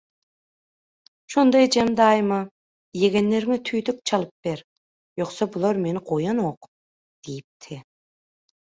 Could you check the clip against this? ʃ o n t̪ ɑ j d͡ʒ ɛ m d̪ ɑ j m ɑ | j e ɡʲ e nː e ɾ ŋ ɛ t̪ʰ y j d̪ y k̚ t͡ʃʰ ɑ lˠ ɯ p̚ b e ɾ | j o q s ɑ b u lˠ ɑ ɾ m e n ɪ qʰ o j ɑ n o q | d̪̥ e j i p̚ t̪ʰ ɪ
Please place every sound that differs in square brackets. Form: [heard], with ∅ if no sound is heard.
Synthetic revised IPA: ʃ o n [d̪] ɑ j d͡ʒ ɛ m d̪ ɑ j m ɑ | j e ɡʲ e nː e ɾ ŋ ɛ t̪ʰ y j d̪ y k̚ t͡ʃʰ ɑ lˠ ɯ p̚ b e ɾ | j o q s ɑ b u lˠ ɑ ɾ m e n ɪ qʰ o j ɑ n o q | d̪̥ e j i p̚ t̪ʰ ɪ